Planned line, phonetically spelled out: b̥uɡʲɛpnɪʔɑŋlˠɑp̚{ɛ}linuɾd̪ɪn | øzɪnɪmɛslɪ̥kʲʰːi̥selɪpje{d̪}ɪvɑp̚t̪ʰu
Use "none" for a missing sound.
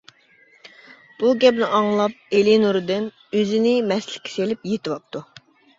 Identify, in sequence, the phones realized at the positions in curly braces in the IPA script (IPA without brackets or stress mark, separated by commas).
e, t̪